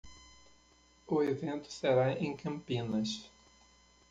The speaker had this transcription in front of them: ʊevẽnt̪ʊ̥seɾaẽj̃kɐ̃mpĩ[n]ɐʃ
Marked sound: correct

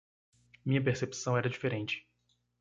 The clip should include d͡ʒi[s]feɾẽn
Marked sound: incorrect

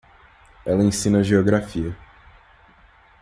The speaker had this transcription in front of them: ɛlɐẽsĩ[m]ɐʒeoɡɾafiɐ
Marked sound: incorrect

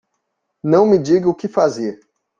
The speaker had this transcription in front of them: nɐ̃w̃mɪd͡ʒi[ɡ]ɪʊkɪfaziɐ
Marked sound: correct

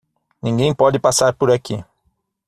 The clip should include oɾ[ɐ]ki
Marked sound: incorrect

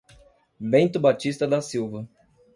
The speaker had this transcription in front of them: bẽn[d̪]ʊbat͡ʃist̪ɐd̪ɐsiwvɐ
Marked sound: incorrect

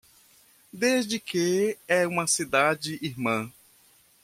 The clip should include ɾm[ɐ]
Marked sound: incorrect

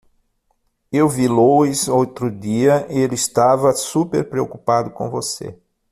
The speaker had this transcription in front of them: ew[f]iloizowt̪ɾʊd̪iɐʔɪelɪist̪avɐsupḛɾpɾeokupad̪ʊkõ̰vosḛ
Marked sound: incorrect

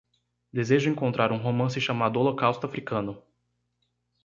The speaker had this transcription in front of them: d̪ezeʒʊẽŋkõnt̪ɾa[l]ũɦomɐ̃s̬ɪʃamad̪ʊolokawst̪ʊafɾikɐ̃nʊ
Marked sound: incorrect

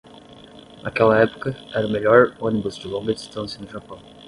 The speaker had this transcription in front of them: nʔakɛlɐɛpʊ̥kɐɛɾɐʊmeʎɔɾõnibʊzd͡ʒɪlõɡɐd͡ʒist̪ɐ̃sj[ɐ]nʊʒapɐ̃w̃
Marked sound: correct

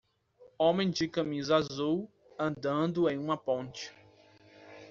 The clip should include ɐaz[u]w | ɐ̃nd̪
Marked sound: correct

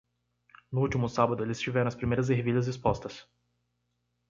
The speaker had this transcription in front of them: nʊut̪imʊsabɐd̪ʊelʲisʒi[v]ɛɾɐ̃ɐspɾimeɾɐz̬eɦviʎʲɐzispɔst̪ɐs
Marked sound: correct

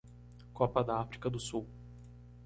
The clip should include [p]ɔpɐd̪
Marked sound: incorrect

